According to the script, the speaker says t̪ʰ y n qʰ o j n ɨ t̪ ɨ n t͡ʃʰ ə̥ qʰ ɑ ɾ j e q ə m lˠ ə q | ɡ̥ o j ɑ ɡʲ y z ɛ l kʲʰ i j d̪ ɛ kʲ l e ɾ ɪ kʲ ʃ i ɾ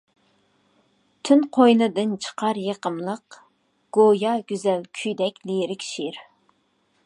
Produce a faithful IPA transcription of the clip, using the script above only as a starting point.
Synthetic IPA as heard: t̪ʰ y n qʰ o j n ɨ d̪ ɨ n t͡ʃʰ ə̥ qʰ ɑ ɾ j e q ə m lˠ ə q | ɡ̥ o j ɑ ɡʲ y z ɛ l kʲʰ y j d̪ ɛ kʲ l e ɾ ɪ kʲ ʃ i ɾ